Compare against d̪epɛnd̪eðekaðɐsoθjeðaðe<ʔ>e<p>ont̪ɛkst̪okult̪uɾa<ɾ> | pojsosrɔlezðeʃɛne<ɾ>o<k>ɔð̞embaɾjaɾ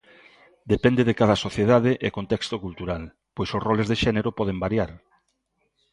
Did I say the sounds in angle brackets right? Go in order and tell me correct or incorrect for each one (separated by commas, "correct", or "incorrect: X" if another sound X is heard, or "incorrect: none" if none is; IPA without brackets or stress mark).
correct, incorrect: k, incorrect: l, correct, incorrect: p